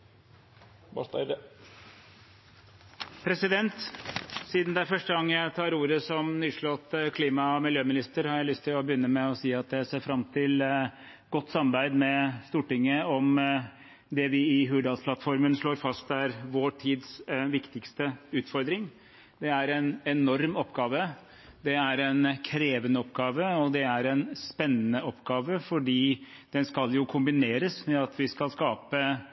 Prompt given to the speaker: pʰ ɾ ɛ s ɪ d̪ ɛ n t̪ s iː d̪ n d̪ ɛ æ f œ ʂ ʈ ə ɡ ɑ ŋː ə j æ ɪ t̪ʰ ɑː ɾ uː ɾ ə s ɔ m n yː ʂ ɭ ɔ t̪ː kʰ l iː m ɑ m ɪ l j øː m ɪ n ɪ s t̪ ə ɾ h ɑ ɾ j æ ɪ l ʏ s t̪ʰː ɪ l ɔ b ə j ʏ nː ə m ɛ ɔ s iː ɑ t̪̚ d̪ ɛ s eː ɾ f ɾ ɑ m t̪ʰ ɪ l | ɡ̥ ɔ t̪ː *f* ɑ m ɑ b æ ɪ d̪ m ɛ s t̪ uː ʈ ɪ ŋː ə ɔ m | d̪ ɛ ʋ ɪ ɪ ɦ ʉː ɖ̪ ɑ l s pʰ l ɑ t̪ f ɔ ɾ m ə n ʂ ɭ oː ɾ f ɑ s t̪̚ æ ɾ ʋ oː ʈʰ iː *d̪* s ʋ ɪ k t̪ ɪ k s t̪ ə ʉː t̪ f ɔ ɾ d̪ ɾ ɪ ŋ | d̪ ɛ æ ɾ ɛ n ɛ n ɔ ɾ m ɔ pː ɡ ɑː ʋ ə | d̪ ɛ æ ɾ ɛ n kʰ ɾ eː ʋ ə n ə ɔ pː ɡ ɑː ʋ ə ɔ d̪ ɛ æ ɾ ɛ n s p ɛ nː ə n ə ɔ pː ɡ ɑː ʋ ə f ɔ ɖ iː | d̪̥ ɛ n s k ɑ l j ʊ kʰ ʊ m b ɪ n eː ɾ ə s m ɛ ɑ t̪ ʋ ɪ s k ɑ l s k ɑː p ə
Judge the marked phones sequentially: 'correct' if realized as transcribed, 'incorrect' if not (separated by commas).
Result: incorrect, correct